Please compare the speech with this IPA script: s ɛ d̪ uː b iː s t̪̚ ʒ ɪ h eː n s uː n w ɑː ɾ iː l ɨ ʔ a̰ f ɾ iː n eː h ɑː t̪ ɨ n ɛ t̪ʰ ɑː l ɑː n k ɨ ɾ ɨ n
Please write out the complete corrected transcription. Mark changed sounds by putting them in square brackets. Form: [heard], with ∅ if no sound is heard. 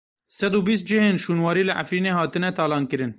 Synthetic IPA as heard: s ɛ d̪ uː b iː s t̪̚ [d͡ʒ] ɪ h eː n [ʃ] uː n w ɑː ɾ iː l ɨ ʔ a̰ f ɾ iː n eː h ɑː t̪ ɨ n ɛ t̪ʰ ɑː l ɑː n k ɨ ɾ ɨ n

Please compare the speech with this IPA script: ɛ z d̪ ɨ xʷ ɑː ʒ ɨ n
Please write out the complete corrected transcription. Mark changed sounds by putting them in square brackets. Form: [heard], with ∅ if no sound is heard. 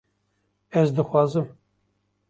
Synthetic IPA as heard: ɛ z d̪ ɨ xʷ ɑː [z] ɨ [m]

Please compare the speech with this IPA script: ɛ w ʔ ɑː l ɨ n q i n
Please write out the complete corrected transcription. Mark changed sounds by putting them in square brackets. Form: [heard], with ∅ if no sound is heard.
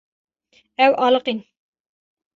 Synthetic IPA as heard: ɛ w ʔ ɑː l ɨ [∅] q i n

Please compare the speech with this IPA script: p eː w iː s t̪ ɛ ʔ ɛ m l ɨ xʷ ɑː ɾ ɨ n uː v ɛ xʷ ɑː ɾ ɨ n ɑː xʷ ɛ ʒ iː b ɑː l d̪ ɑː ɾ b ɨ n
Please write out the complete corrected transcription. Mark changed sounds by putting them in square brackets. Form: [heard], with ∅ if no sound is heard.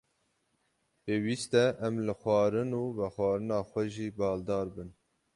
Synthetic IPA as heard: p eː w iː s t̪ ɛ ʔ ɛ m l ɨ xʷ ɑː ɾ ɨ n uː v ɛ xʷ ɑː ɾ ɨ n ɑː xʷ ɛ ʒ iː b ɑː l d̪ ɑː ɾ b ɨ n

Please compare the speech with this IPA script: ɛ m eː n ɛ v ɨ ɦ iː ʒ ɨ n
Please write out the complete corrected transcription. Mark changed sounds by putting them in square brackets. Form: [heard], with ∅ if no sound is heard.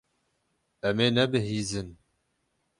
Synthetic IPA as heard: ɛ m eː n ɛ [b] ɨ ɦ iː [z] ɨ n

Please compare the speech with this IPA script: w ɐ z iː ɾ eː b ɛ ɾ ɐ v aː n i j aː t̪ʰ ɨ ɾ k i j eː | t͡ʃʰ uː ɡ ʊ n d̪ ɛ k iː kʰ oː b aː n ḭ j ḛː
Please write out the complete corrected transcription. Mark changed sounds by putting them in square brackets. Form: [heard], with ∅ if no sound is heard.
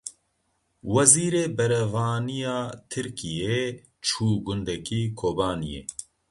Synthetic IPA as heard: w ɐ z iː ɾ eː b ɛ ɾ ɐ v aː n i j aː t̪ʰ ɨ ɾ k i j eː | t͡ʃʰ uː ɡ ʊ n d̪ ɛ k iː kʰ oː b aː n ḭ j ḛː

